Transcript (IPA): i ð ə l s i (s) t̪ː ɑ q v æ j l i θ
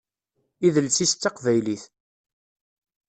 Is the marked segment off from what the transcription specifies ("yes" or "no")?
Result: no